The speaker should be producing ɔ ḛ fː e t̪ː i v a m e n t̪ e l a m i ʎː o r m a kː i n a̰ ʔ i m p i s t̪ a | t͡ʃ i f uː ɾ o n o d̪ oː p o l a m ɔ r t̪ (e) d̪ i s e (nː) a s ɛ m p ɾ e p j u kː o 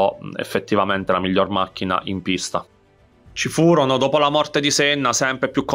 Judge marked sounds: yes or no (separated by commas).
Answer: yes, yes